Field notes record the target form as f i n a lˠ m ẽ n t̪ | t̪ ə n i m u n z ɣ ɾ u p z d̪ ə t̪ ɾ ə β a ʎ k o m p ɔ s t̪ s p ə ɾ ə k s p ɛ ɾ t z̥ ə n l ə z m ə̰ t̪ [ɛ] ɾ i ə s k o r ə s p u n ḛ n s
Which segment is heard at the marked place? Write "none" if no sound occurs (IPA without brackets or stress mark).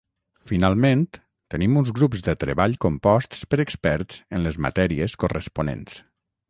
ɛ